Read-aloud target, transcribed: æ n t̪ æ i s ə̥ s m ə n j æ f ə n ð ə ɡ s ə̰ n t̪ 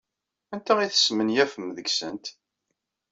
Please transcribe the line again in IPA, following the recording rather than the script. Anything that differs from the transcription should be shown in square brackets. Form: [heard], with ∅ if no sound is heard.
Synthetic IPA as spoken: æ n t̪ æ i [θ] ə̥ s m ə n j æ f ə [m] ð ə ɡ s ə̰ n t̪